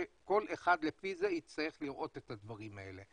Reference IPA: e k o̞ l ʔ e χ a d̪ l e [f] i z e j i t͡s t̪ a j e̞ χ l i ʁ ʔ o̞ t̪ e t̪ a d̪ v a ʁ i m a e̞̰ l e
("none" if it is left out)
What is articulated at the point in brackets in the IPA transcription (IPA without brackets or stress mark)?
f